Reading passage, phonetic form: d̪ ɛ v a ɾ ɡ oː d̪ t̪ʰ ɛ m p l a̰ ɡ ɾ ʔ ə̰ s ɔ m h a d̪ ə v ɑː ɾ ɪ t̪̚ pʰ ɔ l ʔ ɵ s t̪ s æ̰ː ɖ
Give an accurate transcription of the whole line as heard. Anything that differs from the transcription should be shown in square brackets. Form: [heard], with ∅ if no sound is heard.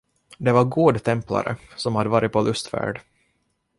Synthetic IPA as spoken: d̪ ɛ v a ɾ ɡ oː d̪ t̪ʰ ɛ m p l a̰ [∅] ɾ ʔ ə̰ s ɔ m h a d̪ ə v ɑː ɾ ɪ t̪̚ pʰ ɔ l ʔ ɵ s t̪ [f] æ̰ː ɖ